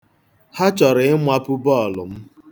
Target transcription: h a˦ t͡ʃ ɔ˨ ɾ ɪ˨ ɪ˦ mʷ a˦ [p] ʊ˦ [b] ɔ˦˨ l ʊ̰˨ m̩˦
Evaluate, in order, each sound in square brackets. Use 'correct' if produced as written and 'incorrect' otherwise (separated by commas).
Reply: correct, correct